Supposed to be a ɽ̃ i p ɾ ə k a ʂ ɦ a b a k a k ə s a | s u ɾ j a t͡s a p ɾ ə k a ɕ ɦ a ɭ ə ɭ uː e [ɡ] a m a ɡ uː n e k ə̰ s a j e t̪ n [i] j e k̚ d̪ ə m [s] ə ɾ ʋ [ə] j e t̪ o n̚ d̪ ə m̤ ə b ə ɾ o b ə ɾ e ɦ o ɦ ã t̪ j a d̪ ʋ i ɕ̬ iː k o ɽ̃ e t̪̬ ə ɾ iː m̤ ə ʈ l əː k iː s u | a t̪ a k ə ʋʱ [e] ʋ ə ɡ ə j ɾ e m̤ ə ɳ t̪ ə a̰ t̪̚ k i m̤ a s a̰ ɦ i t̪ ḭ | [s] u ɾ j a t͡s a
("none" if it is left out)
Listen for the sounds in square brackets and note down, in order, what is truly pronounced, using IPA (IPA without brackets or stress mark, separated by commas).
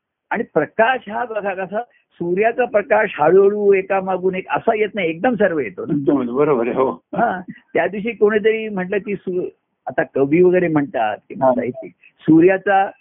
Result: k, a, s, ə, i, s